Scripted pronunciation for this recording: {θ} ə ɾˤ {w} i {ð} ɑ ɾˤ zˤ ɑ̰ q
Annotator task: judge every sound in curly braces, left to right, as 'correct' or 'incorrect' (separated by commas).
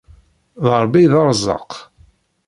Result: incorrect, incorrect, correct